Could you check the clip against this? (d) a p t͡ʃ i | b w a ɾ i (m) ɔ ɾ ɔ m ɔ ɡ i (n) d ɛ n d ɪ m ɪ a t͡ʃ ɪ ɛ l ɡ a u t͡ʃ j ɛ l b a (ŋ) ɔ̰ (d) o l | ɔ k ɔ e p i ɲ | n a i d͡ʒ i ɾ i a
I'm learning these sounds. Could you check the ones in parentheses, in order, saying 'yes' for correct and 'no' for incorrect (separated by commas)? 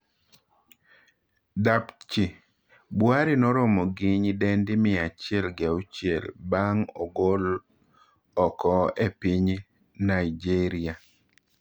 yes, no, no, yes, no